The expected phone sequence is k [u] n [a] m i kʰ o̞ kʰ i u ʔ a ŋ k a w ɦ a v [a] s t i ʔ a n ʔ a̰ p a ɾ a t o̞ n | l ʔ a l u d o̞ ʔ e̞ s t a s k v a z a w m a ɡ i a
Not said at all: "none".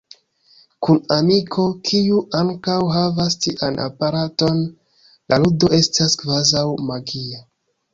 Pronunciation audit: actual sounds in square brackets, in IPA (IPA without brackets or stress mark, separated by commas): u, a, a